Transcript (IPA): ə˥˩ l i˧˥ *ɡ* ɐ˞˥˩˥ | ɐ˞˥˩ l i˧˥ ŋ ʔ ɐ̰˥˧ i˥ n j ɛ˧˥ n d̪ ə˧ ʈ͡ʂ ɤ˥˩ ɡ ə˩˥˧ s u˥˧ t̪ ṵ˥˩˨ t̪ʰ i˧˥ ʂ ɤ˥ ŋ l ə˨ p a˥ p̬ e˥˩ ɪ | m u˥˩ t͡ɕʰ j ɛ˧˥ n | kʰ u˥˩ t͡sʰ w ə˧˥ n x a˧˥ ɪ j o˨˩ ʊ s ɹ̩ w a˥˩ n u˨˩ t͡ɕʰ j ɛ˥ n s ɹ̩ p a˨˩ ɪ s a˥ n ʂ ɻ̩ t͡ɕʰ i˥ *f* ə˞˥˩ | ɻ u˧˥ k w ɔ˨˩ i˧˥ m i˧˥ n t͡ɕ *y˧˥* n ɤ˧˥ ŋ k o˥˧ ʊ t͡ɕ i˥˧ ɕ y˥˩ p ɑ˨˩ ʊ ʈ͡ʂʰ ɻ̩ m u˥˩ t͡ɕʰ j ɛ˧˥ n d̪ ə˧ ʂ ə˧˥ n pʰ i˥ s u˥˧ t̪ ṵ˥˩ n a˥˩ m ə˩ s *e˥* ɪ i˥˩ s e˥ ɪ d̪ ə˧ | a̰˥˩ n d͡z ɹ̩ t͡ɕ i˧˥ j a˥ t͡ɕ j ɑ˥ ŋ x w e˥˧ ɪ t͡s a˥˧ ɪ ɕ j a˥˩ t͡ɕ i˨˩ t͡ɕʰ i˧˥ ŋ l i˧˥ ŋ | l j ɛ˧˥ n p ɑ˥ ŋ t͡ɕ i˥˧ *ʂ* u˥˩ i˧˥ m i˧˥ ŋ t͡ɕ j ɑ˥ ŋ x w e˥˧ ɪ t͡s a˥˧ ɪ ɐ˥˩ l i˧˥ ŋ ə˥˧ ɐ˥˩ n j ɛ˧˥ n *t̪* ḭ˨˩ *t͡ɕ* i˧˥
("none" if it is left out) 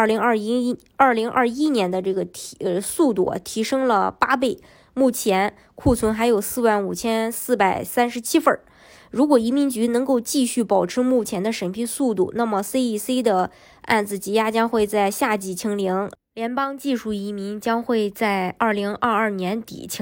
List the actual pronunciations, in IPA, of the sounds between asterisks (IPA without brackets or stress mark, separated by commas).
ŋ, f, y˧˥, e˥, ʂ, t̪, t͡ɕʰ